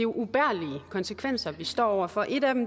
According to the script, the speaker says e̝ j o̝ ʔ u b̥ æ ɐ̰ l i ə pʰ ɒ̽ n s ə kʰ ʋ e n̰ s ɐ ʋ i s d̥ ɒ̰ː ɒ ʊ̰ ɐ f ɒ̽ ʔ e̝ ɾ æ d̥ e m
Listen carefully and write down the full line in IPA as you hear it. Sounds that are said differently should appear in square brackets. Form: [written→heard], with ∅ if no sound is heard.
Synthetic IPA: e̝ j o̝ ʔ u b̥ æ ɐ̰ l i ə [pʰ→kʰ] ɒ̽ n s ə kʰ ʋ e n̰ s ɐ ʋ i s d̥ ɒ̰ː ɒ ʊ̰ ɐ f ɒ̽ ʔ e̝ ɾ æ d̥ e m